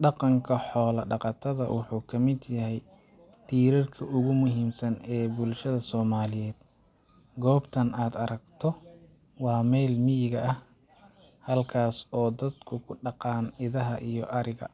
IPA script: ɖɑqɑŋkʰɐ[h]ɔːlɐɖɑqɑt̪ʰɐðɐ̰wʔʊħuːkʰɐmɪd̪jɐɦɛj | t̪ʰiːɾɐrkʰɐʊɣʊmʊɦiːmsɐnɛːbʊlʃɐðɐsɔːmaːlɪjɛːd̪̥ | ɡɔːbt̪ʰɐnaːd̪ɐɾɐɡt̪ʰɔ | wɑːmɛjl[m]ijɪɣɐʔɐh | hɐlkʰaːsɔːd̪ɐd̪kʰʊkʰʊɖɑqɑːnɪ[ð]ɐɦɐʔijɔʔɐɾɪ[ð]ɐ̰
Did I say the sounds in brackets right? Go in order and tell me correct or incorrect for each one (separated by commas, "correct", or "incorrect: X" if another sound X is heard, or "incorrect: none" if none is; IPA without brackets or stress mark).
incorrect: ħ, correct, correct, incorrect: ɣ